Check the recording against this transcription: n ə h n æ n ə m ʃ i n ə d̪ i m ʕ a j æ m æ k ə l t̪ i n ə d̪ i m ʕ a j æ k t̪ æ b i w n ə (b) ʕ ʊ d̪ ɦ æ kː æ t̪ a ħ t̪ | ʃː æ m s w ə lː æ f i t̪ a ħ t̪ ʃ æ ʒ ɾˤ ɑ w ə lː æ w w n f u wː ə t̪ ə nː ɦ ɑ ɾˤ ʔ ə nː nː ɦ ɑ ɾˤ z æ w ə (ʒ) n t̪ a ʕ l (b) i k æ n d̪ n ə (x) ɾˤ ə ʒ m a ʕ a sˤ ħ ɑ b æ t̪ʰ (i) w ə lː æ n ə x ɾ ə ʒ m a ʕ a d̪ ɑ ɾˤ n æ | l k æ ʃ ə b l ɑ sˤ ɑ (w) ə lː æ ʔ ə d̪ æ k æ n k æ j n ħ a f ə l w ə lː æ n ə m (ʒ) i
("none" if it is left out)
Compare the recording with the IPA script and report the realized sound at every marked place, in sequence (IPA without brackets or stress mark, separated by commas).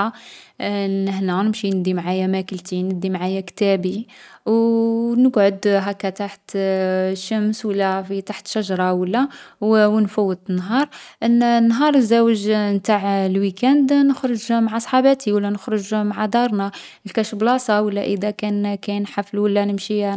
ɡ, ʒ, w, x, i, w, ʃ